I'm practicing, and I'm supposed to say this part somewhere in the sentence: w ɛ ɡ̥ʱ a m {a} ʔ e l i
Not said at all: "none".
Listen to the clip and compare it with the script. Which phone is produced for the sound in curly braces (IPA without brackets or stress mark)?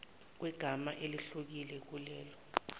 a